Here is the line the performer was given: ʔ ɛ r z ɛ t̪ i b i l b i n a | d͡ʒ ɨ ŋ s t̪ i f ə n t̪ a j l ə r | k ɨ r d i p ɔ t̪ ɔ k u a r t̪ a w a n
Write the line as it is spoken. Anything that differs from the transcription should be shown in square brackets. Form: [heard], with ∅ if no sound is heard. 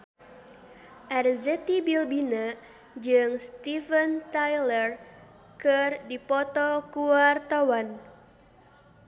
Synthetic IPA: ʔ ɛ r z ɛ t̪ i b i l b i n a | d͡ʒ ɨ ŋ s t̪ i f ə n t̪ a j l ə r | k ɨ r d i p ɔ t̪ ɔ k u a r t̪ a w a n